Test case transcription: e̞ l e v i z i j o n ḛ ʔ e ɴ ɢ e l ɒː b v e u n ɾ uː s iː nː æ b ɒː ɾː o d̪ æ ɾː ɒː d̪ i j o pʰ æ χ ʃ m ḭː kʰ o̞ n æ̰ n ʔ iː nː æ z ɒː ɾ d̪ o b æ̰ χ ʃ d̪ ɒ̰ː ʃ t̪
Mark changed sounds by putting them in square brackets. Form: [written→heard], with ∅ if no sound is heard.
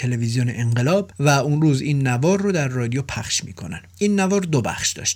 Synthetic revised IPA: e̞ l e v i z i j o n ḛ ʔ e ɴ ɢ e l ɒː b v [e→æ] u n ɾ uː [s→z] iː nː æ [b→v] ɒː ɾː o d̪ æ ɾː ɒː d̪ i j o pʰ æ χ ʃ m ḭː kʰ o̞ n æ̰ n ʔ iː nː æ [z→v] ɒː ɾ d̪ o b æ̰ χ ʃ d̪ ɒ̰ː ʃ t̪